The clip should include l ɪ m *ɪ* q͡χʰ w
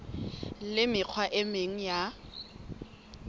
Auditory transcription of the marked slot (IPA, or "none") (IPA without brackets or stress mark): ɪ